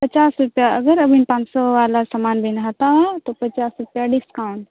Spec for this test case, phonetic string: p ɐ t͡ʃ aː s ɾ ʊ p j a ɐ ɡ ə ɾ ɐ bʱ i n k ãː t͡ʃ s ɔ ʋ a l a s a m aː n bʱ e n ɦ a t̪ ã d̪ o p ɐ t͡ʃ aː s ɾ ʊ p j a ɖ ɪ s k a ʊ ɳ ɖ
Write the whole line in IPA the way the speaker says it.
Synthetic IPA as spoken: p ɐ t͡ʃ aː s ɾ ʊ p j a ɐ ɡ ə ɾ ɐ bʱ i n p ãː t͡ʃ s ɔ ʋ a l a s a m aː n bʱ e n ɦ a t̪ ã t̪ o p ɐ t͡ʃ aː s ɾ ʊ p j a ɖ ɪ s k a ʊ ɳ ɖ

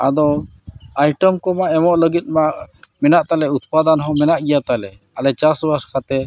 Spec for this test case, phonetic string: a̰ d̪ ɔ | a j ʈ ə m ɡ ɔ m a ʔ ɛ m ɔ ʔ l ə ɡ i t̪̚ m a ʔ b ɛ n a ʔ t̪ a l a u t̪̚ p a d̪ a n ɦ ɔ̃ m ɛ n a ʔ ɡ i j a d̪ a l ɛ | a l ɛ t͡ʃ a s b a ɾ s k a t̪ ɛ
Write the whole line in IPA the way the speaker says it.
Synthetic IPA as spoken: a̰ d̪ ɔ | a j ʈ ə m k ɔ m a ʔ ɛ m ɔ ʔ l ə ɡ i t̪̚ m a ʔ m ɛ n a ʔ t̪ a l ɛ u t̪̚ p a d̪ a n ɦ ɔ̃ m ɛ n a ʔ ɡ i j a t̪ a l ɛ | a l ɛ t͡ʃ a s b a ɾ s k a t̪ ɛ

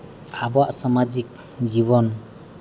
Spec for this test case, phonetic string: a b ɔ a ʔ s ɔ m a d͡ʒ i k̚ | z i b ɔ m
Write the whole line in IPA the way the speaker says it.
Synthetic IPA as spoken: a b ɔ a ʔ s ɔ m a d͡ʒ i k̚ | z i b ɔ n

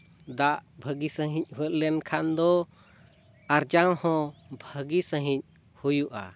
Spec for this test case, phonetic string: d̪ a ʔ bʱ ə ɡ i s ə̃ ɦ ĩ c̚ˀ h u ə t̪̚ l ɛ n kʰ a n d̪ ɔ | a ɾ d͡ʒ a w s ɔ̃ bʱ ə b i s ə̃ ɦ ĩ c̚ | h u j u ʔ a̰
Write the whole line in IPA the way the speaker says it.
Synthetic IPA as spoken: d̪ a ʔ bʱ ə ɡ i s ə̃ ɦ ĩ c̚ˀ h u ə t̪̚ l ɛ n kʰ a n d̪ ɔ | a ɾ d͡ʒ a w h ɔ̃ bʱ ə ɡ i s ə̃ ɦ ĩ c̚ | h u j u ʔ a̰

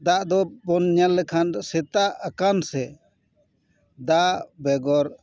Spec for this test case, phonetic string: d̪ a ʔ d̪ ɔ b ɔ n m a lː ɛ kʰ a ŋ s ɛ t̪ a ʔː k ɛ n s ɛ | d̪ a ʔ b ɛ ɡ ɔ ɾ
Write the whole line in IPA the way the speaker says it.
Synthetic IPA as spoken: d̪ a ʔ d̪ ɔ b ɔ n ɲ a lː ɛ kʰ a n s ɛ t̪ a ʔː k a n s ɛ | d̪ a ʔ b ɛ ɡ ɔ ɾ

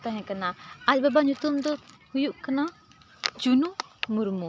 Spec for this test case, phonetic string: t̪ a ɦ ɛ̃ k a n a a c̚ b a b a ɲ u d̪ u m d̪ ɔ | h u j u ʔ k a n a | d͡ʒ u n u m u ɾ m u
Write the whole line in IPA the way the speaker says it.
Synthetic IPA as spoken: t̪ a ɦ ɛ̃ k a n a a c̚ b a b a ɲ u t̪ u m d̪ ɔ | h u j u ʔ k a n a | d͡ʒ u n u m u ɾ m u

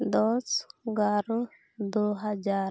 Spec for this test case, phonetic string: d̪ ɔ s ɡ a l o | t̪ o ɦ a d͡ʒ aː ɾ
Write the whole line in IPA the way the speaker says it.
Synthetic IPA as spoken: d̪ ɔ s ɡ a ɾ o | d̪ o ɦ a d͡ʒ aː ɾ

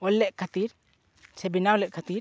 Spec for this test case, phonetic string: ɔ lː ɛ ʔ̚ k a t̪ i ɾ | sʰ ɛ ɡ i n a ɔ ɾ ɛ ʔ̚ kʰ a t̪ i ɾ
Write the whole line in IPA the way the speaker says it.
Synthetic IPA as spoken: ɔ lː ɛ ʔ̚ kʰ a t̪ i ɾ | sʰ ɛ b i n a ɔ l ɛ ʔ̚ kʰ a t̪ i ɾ

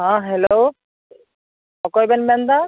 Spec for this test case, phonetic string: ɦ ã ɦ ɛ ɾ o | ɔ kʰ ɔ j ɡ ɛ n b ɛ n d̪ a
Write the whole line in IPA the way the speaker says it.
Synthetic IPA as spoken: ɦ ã ɦ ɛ l o | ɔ k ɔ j b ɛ n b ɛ n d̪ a

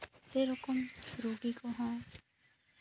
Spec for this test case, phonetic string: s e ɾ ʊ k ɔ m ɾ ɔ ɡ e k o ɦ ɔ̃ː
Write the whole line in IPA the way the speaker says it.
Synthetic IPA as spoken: s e ɾ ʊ k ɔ m ɾ o ɡ i k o ɦ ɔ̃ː

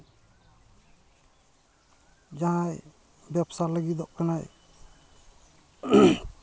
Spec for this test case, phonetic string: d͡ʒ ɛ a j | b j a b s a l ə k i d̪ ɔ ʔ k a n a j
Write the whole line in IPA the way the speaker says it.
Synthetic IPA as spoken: d͡ʒ a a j | b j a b s a l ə ɡ i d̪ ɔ ʔ k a n a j

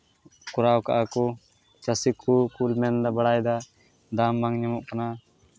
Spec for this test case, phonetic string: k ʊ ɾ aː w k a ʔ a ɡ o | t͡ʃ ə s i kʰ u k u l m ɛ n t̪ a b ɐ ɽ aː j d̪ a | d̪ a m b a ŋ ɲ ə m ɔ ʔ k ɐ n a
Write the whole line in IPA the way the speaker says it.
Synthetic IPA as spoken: k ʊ ɾ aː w k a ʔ a k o | t͡ʃ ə s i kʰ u k u l m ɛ n d̪ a b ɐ ɽ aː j d̪ a | d̪ a m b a ŋ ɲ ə m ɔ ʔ k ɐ n a

